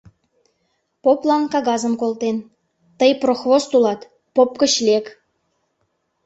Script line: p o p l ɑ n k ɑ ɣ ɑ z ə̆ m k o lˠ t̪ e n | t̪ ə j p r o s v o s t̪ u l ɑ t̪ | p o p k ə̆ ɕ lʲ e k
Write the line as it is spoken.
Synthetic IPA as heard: p o p l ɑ n k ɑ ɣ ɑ z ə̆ m k o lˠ t̪ e n | t̪ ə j p r o x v o s t̪ u l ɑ t̪ | p o p k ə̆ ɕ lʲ e k